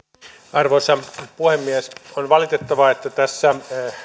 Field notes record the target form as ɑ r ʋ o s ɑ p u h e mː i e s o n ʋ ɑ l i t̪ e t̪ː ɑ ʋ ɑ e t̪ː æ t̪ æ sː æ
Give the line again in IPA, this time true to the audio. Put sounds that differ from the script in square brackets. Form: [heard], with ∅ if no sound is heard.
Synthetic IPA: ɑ r ʋ o s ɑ p u h e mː i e s o n ʋ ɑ l i t̪ e t̪ː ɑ ʋ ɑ e t̪ː æ t̪ æ sː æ

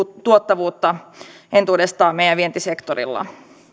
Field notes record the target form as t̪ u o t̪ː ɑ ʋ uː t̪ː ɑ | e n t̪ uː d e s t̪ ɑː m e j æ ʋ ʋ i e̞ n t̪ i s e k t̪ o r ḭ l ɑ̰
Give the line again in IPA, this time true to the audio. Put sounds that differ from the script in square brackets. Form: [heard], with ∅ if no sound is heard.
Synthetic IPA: t̪ u o t̪ː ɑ ʋ uː t̪ː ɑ | e n t̪ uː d e s t̪ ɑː m e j æ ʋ ʋ i e̞ n t̪ i s e k t̪ o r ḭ [lː] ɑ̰

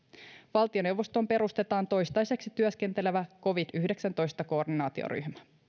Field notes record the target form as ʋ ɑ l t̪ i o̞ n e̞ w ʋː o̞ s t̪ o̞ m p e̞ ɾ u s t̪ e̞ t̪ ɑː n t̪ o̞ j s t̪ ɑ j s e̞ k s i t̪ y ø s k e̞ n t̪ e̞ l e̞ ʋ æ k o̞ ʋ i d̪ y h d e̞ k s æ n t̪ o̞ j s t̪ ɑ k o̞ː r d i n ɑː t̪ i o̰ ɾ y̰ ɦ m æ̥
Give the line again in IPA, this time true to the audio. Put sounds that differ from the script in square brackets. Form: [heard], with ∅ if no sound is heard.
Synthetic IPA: ʋ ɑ l t̪ i o̞ n e̞ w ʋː o̞ s t̪ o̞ m p e̞ ɾ u s t̪ e̞ t̪ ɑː n t̪ o̞ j s t̪ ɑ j s e̞ k s i t̪ y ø s k e̞ n t̪ e̞ l e̞ ʋ æ k o̞ ʋ i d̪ y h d e̞ k s æ n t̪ o̞ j s t̪ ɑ k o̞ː r d i n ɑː t̪ i o̰ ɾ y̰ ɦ m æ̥

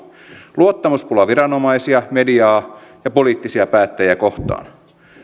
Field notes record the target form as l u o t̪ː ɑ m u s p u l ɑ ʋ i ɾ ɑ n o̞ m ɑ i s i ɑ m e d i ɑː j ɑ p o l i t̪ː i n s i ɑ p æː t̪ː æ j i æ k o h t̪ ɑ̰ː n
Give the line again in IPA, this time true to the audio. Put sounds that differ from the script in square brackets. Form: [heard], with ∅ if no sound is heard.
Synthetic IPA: l u o t̪ː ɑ m u s p u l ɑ ʋ i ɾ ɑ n o̞ m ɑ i s i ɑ m e d i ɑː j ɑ p o l [iː] t̪ː i [∅] s i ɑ p æː t̪ː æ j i æ k o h t̪ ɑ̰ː n

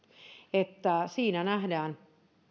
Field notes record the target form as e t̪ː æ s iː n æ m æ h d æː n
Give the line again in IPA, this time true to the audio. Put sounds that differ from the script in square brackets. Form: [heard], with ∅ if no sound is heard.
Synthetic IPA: e t̪ː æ s iː n æ [n] æ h d æː n

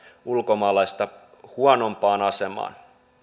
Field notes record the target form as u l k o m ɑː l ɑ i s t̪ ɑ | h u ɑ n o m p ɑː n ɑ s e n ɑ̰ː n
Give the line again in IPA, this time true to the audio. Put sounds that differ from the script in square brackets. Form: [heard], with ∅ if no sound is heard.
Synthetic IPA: u l k o m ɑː l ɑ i s t̪ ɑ | h u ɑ n o m p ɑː n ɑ s e [m] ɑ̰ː n

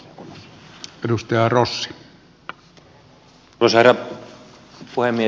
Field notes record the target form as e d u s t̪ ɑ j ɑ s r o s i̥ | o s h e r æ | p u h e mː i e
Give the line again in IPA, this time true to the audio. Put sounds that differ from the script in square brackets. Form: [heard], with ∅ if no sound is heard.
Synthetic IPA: e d u s t̪ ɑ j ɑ [∅] r o [sː] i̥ | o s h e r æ | p u h e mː i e

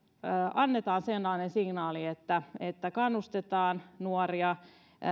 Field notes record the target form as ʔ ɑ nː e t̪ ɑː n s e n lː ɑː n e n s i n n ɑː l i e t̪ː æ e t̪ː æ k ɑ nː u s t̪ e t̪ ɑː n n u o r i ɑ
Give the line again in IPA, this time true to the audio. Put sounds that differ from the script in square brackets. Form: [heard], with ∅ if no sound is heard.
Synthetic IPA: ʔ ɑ nː e t̪ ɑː n s e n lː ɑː n e n s i [ŋ] n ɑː l i e t̪ː æ e t̪ː æ k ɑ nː u s t̪ e t̪ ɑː n n u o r i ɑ

